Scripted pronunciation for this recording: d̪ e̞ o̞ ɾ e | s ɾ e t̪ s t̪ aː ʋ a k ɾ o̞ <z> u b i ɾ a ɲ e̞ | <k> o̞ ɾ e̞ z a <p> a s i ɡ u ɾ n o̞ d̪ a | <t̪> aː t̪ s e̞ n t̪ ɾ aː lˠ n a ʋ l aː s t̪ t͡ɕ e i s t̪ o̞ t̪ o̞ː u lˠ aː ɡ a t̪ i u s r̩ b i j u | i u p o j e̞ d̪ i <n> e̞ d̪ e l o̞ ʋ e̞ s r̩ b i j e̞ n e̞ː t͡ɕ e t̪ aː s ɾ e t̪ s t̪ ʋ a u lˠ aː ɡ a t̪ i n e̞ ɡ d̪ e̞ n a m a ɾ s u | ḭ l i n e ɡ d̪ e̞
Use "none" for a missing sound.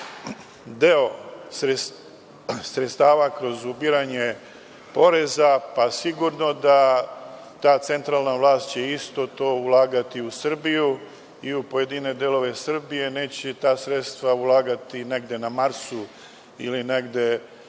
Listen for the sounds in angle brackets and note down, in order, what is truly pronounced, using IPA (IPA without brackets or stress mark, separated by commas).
z, p, p, t̪, n